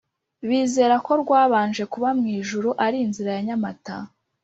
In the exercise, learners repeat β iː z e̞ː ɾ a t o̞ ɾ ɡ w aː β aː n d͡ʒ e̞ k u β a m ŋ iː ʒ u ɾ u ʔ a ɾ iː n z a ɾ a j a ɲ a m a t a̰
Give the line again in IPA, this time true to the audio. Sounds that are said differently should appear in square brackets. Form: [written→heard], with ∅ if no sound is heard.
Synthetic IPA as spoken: β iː z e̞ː ɾ a [t→k] o̞ ɾ ɡ w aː β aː n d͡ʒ e̞ k u β a m ŋ iː ʒ u ɾ u ʔ a ɾ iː n z [a→i] ɾ a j a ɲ a m a t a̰